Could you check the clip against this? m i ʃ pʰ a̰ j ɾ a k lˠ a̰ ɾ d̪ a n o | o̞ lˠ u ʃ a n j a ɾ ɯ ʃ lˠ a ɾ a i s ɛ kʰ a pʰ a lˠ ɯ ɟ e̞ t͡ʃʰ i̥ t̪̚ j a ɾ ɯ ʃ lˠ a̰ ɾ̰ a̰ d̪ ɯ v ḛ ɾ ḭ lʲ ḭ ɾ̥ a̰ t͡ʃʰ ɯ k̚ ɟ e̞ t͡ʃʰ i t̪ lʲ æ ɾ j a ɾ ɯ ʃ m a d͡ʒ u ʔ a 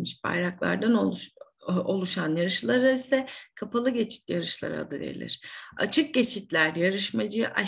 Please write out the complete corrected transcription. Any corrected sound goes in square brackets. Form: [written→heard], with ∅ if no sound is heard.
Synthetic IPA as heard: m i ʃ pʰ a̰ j ɾ a k lˠ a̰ ɾ d̪ a n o | o̞ lˠ u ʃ a n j a ɾ ɯ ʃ lˠ a ɾ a i s ɛ kʰ a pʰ a lˠ ɯ ɟ e̞ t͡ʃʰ i̥ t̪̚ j a ɾ ɯ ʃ lˠ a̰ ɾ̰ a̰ d̪ ɯ v ḛ ɾ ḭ lʲ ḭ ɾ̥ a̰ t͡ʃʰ ɯ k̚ ɟ e̞ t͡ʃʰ i t̪ lʲ æ ɾ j a ɾ ɯ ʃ m a d͡ʒ [u→ɯ] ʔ a